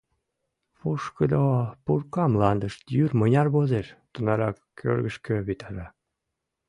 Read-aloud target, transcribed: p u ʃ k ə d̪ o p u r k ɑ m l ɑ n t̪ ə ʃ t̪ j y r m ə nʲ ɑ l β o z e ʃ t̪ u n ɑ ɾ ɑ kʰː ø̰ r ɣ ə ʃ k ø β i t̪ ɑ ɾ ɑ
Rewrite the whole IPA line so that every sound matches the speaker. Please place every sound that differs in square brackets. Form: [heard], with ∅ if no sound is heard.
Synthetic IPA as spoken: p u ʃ k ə d̪ o p u r k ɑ m l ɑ n [d̪] ə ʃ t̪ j y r m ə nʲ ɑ [r] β o z e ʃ t̪ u n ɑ ɾ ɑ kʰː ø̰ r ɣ ə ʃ k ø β i t̪ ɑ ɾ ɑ